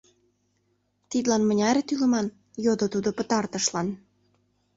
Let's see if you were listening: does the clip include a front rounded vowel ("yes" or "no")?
yes